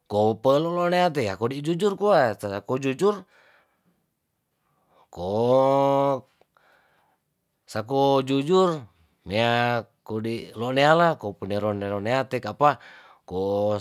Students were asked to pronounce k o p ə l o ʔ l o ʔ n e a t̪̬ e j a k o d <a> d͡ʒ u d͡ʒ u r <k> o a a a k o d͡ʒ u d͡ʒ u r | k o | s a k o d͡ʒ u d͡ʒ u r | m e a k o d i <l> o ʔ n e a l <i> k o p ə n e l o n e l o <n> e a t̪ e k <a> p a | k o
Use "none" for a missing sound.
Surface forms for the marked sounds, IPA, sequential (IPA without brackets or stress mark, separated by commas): i, k, l, a, n, a